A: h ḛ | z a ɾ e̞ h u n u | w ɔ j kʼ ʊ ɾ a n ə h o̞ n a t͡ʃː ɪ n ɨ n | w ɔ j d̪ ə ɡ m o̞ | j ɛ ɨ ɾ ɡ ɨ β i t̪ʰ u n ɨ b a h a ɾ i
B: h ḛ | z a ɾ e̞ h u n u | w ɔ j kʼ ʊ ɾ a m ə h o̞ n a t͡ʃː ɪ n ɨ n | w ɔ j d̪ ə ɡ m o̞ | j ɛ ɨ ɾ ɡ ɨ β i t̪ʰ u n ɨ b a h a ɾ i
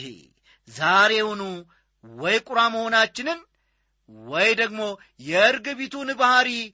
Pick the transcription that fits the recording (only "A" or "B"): B